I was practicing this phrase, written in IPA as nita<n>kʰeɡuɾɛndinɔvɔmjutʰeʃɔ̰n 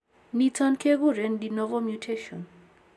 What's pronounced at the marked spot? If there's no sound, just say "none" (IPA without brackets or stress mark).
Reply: n